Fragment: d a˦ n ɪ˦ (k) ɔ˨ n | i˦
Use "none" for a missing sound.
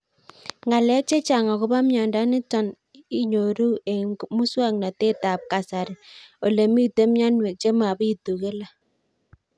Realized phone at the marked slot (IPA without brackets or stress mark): t